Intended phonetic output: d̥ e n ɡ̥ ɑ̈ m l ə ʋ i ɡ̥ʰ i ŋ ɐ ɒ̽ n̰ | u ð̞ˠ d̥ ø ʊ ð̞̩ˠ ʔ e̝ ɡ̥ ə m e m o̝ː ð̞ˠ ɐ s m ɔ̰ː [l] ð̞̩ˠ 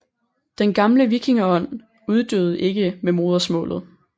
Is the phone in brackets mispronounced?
no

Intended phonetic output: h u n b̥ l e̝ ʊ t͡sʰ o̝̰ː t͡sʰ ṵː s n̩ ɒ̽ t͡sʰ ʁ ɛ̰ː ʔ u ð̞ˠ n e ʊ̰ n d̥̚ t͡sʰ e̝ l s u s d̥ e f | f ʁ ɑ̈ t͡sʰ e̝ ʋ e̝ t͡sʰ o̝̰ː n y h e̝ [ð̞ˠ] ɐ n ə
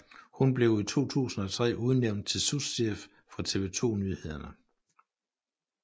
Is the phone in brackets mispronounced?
no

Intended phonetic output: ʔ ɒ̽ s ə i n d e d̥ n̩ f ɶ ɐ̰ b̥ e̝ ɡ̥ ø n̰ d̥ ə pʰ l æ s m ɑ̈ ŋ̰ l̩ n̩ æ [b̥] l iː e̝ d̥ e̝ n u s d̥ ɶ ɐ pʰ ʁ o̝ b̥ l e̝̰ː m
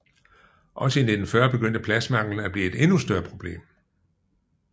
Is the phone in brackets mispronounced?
no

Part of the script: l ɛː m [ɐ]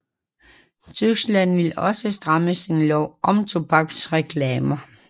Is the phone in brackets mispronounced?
no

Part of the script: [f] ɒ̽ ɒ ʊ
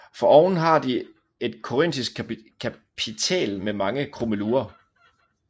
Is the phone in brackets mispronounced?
no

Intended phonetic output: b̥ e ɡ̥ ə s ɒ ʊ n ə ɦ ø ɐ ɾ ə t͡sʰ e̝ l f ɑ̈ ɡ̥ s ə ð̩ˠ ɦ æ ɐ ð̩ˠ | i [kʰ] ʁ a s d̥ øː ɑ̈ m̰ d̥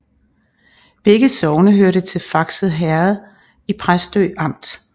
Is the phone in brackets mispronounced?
yes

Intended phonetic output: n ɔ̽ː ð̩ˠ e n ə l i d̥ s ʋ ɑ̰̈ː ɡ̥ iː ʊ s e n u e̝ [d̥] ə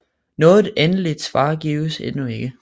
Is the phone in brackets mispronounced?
yes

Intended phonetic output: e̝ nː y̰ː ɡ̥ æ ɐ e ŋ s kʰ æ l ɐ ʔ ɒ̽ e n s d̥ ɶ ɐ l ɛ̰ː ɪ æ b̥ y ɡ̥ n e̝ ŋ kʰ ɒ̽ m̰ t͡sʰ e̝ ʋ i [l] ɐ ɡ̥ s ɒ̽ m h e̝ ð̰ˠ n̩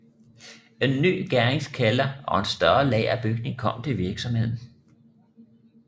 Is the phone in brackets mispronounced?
yes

